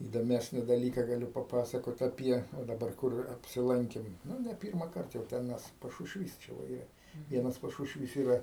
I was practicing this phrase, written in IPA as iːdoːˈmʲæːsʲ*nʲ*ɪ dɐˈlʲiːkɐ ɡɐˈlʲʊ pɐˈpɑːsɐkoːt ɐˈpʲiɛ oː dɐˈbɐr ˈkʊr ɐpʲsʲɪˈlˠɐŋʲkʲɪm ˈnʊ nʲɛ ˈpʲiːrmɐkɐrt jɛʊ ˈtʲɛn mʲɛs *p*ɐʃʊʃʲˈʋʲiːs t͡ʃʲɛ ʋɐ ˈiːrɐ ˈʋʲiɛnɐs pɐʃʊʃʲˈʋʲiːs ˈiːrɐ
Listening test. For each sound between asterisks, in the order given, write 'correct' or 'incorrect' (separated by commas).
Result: correct, correct